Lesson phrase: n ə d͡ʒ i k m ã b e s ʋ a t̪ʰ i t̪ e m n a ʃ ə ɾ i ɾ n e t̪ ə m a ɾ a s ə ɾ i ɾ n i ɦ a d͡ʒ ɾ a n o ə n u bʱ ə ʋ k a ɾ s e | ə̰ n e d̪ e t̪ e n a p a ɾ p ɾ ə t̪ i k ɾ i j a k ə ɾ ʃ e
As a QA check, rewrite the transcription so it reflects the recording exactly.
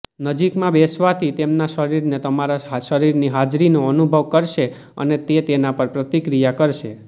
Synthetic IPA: n ə d͡ʒ i k m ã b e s ʋ a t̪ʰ i t̪ e m n a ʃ ə ɾ i ɾ n e t̪ ə m a ɾ a ʃ ə ɾ i ɾ n i ɦ a d͡ʒ ɾ i n o ə n u bʱ ə ʋ k ə ɾ ʃ e | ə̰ n e t̪ e t̪ e n a p ə ɾ p ɾ ə t̪ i k ɾ i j a k ə ɾ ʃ e